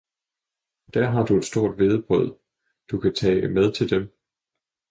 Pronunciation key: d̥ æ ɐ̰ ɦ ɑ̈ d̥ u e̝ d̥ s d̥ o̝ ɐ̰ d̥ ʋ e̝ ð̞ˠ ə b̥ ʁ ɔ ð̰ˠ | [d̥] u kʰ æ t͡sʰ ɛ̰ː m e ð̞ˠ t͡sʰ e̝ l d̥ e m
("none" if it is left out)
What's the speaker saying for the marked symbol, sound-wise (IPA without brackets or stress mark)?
d̥